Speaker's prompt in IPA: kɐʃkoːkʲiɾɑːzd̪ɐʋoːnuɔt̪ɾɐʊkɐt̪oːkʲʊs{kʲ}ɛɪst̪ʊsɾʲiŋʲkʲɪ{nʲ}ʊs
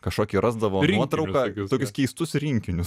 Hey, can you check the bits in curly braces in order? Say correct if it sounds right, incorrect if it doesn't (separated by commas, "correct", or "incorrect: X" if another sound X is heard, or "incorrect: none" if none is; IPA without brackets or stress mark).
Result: correct, correct